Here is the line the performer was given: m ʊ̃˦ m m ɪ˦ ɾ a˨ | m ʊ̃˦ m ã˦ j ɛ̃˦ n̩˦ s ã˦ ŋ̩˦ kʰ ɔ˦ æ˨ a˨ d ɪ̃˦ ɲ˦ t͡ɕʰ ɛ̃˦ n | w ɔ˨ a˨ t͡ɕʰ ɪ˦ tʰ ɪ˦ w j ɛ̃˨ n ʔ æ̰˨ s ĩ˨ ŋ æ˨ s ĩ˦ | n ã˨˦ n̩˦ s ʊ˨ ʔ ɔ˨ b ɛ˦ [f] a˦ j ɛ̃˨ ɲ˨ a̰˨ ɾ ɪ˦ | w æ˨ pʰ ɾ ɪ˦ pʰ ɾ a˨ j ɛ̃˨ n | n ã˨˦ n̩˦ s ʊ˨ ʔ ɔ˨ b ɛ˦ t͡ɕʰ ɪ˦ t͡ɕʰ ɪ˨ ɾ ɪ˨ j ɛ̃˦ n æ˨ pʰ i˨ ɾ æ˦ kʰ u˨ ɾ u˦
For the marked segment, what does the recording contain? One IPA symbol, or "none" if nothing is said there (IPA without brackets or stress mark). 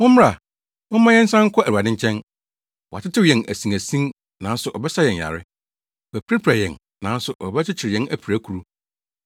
s